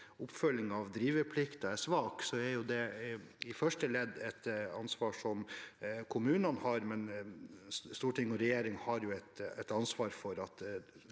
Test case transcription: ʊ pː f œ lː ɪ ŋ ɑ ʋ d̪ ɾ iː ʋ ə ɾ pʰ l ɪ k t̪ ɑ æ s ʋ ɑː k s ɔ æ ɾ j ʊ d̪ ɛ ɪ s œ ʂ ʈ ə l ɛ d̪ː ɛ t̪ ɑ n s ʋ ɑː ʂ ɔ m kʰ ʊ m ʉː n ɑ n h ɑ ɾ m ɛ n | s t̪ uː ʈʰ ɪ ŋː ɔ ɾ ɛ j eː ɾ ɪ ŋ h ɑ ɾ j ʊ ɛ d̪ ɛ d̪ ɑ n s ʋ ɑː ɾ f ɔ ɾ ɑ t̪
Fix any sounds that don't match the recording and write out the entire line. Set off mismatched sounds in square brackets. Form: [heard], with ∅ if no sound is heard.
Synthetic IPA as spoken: ʊ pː f œ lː ɪ ŋ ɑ ʋ d̪ ɾ iː ʋ ə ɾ pʰ l ɪ k t̪ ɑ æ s ʋ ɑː k s ɔ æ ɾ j ʊ d̪ ɛ ɪ [f] œ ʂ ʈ ə l ɛ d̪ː ɛ t̪ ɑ n s ʋ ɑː ʂ ɔ m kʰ ʊ m ʉː n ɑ n h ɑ ɾ m ɛ n | s t̪ uː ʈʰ ɪ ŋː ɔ ɾ ɛ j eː ɾ ɪ ŋ h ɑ ɾ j ʊ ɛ [t̪] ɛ [t̪] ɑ n s ʋ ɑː ɾ f ɔ ɾ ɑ t̪